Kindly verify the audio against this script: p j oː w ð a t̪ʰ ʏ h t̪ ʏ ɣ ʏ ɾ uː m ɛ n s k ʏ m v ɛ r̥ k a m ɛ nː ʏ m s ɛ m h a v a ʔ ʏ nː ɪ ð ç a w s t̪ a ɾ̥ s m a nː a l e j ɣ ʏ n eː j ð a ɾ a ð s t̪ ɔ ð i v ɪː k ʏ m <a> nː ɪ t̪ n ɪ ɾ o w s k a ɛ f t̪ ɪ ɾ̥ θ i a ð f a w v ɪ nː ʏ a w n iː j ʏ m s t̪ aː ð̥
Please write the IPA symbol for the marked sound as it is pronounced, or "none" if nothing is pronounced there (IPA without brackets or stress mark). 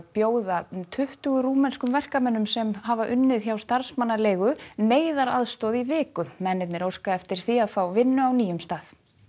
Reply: ɛ